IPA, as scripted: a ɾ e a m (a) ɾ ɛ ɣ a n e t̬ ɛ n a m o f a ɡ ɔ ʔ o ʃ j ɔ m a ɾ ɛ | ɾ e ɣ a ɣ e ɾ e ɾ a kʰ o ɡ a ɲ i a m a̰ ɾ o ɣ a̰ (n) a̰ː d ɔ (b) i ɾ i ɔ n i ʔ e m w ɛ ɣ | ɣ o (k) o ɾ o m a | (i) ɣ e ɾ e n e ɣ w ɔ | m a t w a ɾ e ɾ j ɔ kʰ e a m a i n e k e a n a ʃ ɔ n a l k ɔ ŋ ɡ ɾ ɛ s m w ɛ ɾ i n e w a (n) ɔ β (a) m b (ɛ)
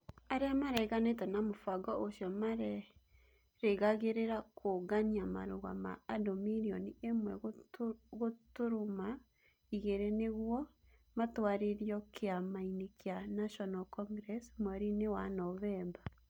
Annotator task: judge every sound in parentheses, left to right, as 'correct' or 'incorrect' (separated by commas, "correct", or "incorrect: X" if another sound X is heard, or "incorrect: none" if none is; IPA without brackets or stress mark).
correct, incorrect: m, incorrect: m, incorrect: t, correct, correct, incorrect: ɛ, incorrect: a